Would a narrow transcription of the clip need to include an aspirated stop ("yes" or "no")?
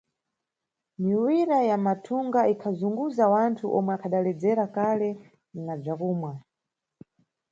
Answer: yes